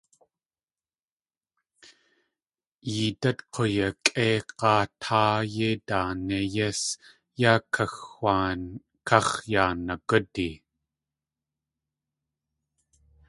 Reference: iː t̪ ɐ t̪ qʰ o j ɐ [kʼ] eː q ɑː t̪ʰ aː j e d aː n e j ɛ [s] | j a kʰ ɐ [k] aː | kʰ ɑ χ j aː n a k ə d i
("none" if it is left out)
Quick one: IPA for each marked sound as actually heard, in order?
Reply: kʼ, s, x

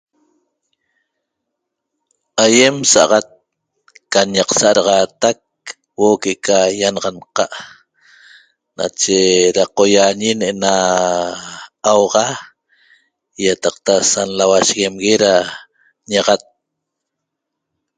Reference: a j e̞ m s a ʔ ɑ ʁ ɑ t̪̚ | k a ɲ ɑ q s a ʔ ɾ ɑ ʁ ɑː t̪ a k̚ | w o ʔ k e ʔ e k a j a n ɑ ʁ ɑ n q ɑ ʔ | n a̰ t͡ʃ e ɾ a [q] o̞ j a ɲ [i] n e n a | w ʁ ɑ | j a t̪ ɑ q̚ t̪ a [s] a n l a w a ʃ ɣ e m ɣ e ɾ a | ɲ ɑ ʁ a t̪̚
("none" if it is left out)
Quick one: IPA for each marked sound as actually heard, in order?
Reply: q, i, s

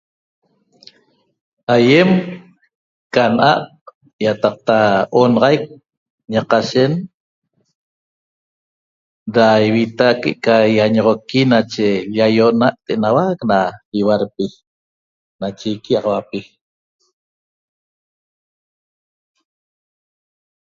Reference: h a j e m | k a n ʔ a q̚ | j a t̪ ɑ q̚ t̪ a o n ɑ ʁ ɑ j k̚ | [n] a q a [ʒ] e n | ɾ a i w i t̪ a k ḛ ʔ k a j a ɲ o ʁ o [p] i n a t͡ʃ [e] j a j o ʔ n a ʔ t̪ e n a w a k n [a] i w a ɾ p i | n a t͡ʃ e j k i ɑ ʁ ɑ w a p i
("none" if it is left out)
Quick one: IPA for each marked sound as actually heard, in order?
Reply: ɲ, ʃ, k, e, a

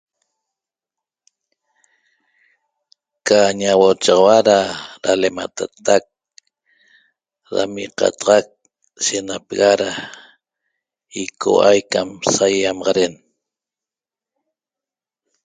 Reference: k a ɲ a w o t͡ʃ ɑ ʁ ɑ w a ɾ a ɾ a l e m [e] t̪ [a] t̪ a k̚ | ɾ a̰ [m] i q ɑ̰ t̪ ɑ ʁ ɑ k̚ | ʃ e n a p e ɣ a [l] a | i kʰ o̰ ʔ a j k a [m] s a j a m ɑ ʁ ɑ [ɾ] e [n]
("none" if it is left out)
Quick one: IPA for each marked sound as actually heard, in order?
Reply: a, a, m, ɾ, m, ɾ, n

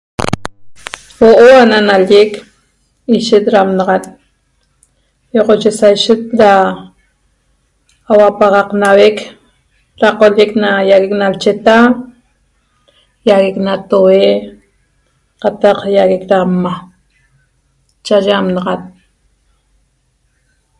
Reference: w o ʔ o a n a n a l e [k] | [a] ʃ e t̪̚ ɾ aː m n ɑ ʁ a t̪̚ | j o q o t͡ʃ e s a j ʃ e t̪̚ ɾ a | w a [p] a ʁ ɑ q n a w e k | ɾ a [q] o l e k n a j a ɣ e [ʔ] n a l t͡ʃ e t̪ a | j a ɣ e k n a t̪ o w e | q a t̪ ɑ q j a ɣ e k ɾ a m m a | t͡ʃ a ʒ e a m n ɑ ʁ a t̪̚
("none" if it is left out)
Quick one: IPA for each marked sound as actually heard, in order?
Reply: k, i, p, q, k

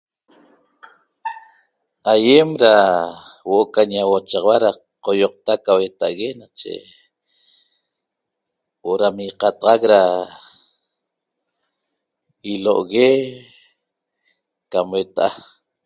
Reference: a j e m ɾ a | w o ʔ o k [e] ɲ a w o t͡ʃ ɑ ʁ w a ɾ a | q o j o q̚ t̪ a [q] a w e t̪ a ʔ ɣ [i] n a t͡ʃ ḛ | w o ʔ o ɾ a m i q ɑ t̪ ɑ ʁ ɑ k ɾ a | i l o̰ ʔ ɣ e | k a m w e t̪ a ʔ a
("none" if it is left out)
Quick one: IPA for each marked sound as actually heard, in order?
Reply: a, k, e

